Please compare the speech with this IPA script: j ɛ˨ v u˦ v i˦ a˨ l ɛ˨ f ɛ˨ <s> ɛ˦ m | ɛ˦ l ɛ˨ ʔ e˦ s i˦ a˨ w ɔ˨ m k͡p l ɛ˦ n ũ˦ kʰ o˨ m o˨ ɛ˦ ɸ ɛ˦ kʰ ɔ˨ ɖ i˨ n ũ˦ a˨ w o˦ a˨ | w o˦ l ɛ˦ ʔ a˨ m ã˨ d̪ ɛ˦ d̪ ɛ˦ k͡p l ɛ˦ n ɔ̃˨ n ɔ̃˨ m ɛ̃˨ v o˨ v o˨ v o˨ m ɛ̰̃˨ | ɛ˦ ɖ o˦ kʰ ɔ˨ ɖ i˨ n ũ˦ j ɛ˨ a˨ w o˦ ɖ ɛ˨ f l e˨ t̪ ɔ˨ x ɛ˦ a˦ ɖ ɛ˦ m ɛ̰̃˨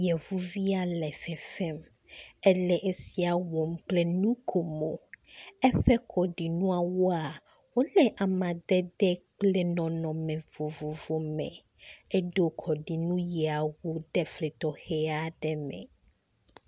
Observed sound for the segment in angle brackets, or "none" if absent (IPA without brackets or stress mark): f